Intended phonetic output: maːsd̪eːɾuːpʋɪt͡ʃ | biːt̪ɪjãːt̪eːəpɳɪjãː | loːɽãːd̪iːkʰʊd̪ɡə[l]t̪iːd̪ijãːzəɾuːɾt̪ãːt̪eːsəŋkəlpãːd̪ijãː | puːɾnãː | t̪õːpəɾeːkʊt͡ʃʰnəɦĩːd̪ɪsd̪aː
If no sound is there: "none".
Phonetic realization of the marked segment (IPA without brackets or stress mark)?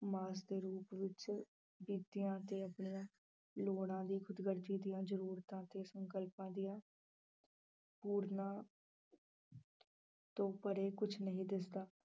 ɾ